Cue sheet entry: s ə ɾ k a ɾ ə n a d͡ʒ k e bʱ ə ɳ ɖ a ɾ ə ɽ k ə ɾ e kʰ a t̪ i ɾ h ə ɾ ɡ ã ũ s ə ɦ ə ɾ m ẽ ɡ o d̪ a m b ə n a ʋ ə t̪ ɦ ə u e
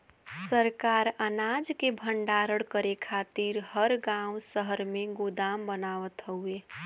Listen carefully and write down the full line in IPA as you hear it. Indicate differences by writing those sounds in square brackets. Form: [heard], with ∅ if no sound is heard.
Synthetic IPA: s ə ɾ k a ɾ ə n a d͡ʒ k e bʱ ə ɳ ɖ a ɾ ə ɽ k ə ɾ e kʰ a t̪ i ɾ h ə ɾ ɡ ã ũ s ə ɦ ə ɾ m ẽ ɡ o d̪ a m b ə n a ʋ ə t̪ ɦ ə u e